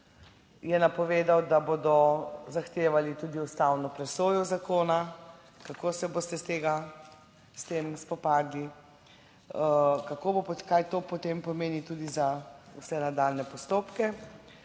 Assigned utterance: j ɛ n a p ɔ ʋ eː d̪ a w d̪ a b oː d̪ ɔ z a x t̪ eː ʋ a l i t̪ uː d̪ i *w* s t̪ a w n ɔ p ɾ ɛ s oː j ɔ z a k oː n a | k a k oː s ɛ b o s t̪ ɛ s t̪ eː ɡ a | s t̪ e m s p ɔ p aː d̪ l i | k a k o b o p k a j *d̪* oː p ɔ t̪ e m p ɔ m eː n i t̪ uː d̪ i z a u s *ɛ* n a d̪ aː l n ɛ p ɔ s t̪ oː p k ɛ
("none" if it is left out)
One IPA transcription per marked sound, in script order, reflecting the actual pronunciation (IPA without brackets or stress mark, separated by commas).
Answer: u, t̪, ɛ